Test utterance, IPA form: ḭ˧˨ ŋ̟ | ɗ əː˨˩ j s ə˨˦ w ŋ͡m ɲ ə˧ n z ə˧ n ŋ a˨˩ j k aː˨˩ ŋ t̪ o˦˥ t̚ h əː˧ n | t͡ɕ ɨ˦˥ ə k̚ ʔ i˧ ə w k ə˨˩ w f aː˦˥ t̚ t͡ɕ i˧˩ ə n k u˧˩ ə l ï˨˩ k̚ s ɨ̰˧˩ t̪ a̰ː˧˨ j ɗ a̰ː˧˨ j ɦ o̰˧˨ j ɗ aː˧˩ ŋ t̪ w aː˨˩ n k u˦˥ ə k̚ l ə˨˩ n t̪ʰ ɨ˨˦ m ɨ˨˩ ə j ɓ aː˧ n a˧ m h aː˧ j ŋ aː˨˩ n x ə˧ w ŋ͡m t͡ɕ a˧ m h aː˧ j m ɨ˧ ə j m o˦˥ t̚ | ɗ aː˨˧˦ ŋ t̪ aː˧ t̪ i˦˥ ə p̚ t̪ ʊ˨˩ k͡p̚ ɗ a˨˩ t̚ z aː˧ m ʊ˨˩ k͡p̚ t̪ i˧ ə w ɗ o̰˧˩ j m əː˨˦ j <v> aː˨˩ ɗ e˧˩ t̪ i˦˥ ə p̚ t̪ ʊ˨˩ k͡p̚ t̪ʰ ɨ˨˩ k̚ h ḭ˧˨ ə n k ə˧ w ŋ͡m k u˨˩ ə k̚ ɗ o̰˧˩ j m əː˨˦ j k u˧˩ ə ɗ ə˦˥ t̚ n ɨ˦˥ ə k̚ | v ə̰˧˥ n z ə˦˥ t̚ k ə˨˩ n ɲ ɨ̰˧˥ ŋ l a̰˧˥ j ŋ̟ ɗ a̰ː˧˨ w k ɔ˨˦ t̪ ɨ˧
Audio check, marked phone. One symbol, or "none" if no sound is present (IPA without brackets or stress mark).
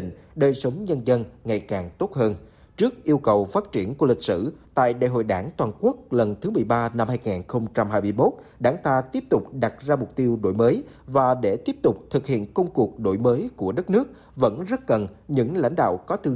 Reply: v